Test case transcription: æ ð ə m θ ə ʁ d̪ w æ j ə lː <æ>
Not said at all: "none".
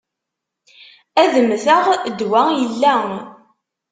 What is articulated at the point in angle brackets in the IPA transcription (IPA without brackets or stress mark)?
æ